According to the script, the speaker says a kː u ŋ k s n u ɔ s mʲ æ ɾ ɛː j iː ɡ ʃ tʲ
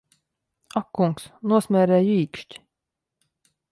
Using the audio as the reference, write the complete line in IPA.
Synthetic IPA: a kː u ŋ k s n u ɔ s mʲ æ ɾ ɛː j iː k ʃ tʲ